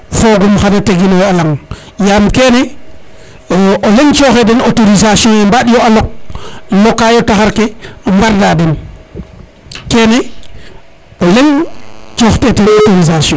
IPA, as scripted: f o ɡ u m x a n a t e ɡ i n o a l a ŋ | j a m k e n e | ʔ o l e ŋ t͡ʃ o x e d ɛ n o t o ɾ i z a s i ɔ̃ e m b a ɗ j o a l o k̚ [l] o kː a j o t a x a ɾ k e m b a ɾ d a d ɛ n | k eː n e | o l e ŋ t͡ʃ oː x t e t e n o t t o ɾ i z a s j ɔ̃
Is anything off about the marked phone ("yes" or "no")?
no